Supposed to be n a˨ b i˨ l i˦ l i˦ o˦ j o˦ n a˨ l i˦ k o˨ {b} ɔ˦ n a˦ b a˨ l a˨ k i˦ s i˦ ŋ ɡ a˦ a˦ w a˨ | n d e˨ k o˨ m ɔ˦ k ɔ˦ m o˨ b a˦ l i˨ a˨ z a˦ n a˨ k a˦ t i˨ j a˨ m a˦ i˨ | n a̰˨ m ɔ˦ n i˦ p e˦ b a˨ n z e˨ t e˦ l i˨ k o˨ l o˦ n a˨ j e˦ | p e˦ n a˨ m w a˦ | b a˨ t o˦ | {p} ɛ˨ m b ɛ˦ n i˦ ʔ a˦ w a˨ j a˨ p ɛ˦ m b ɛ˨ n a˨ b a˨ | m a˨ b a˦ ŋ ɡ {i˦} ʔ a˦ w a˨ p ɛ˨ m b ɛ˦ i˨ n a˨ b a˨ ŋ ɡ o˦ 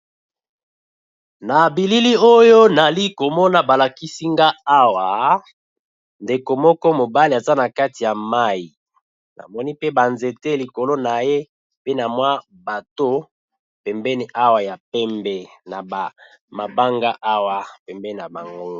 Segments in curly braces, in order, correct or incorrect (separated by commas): incorrect, correct, incorrect